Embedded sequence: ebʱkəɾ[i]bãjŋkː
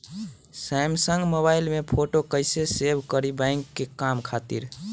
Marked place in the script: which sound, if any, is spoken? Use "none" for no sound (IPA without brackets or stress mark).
i